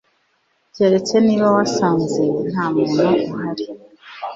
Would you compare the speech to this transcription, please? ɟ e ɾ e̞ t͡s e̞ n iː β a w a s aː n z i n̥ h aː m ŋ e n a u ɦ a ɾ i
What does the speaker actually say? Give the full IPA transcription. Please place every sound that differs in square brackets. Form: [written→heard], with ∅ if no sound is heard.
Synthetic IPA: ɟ e ɾ e̞ t͡s e̞ n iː β a w a s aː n z [i→e] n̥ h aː m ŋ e n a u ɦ a ɾ i